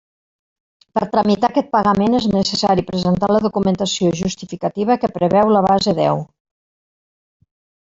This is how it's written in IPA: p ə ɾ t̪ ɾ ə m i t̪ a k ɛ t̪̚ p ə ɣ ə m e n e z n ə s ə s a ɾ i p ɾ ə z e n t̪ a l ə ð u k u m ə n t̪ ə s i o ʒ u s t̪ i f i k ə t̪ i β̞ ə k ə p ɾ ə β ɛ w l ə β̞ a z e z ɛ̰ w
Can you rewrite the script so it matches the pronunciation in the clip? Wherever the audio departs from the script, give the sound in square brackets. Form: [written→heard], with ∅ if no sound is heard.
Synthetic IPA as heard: p ə ɾ t̪ ɾ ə m i t̪ a k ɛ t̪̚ p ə ɣ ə m e n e z n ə s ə s a ɾ i p ɾ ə z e n t̪ a l ə ð u k u m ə n t̪ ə s i o ʒ u s t̪ i f i k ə t̪ i β̞ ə k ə p ɾ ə β ɛ w l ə β̞ a z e [z→ð] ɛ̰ w